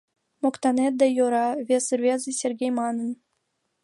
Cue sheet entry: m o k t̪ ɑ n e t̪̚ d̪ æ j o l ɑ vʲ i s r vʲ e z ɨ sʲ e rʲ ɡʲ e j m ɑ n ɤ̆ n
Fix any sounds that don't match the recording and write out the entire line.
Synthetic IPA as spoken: m o k t̪ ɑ n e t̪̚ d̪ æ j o ɾ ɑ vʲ e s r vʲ e z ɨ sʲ e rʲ ɡʲ e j m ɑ n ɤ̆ n